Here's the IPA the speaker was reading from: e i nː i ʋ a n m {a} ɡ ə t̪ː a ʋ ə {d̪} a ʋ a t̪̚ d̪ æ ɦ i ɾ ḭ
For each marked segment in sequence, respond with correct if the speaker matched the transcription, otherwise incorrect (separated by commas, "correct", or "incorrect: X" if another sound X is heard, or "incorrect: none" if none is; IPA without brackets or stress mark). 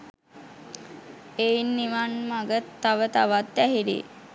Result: correct, incorrect: t̪